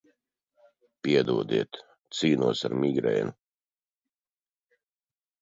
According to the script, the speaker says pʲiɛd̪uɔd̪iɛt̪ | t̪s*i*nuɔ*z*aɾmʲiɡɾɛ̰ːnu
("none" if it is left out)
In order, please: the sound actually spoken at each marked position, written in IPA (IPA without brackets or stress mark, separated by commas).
iː, s